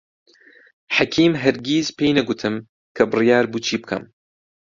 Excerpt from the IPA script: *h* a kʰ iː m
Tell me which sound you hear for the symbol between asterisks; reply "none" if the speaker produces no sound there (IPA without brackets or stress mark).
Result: ħ